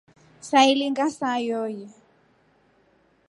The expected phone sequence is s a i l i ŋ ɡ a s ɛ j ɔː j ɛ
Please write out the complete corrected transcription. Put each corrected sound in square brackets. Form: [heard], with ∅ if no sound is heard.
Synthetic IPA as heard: s a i l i ŋ ɡ a s [a] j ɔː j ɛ